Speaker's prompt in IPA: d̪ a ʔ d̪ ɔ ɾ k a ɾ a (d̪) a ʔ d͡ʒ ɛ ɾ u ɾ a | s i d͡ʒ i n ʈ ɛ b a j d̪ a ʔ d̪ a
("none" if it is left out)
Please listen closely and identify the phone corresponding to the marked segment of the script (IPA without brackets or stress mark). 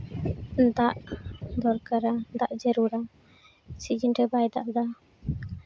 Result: d̪